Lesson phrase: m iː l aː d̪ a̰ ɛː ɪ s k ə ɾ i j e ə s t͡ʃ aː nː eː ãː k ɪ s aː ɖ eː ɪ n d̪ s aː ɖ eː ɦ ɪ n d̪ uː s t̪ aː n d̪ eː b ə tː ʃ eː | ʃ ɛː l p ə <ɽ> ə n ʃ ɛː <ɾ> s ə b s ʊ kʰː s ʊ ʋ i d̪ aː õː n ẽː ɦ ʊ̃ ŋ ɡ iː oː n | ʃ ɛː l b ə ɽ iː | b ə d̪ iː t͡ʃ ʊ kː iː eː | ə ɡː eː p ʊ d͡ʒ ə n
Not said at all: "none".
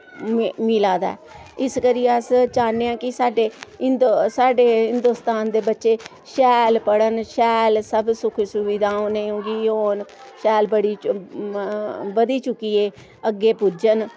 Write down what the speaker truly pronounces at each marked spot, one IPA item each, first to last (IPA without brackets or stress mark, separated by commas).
ɽ, l